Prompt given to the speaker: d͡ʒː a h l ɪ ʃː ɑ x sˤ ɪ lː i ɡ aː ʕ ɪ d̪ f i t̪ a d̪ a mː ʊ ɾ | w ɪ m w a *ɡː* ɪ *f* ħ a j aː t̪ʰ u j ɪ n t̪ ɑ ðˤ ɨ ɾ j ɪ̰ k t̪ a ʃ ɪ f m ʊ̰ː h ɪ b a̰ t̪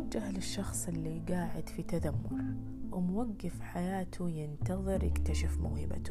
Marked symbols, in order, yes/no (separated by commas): yes, yes